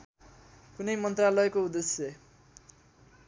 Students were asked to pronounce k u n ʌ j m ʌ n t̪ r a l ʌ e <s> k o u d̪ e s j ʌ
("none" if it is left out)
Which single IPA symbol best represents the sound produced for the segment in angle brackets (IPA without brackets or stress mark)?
none